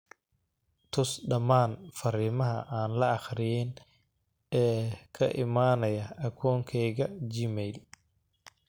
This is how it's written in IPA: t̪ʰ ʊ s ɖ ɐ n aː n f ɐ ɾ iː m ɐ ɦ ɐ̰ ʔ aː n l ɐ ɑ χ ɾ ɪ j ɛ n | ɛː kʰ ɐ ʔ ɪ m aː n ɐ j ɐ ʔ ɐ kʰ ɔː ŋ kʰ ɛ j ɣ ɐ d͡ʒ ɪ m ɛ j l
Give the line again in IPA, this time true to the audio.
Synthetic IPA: t̪ʰ ʊ s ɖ ɐ m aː n f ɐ ɾ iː m ɐ ɦ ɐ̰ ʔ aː n l ɐ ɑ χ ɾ ɪ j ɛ n | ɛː kʰ ɐ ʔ ɪ m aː n ɐ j ɐ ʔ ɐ kʰ ɔː ŋ kʰ ɛ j ɣ ɐ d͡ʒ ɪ m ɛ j l